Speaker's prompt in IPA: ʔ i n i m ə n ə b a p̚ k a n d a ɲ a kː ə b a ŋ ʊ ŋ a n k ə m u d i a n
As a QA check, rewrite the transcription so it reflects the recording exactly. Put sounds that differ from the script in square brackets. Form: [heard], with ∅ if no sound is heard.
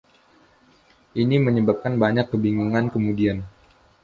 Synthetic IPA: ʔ i n i m ə [ɲ] ə b a p̚ k a n [b] a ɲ a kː ə b [i] ŋ [u] ŋ a n k ə m u d i a n

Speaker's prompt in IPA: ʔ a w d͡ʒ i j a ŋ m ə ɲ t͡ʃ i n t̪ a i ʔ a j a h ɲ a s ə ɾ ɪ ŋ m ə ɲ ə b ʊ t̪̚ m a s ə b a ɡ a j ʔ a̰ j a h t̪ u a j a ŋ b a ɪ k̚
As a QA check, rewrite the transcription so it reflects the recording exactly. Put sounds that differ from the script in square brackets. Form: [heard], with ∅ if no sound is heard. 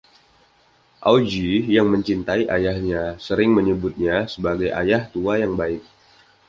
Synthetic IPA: ʔ a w d͡ʒ i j a ŋ m ə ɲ t͡ʃ i n t̪ a i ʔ a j a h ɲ a s ə ɾ ɪ ŋ m ə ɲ ə b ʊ t̪̚ [ɲ] a s ə b a ɡ a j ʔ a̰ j a h t̪ u a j a ŋ b a ɪ k̚

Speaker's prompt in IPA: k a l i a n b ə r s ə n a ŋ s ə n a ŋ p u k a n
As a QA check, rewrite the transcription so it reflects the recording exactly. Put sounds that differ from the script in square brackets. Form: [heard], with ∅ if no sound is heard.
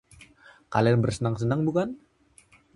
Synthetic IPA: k a l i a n b ə r s ə n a ŋ s ə n a ŋ [b] u k a n

